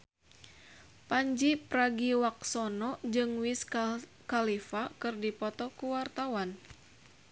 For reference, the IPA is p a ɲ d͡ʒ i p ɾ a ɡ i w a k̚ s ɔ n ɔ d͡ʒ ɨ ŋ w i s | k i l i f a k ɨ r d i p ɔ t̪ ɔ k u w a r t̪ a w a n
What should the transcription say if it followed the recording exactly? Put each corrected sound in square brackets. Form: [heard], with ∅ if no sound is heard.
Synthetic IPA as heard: p a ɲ d͡ʒ i p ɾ a ɡ i w a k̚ s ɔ n ɔ d͡ʒ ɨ ŋ w i s | k [a] l i f a k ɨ r d i p ɔ t̪ ɔ k u w a r t̪ a w a n